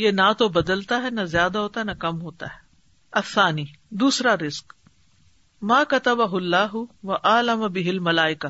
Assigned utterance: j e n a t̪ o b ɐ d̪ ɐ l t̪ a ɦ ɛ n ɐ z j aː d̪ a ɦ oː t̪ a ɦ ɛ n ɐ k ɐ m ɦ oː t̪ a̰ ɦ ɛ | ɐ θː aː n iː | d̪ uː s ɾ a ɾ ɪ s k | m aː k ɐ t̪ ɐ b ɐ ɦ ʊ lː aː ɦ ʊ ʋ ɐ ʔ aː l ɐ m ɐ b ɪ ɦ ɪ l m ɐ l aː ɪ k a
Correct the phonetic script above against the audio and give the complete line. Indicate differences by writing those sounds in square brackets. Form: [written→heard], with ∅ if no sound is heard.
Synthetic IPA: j e n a t̪ o b ɐ d̪ [ɐ→ə] l t̪ a ɦ ɛ n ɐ z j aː d̪ a ɦ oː t̪ a ɦ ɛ n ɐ k ɐ m ɦ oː t̪ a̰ ɦ ɛ | ɐ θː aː n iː | d̪ uː s ɾ a ɾ ɪ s k | m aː k ɐ t̪ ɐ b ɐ ɦ ʊ lː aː ɦ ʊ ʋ ɐ ʔ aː l ɐ m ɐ b ɪ ɦ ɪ l m ɐ l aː ɪ k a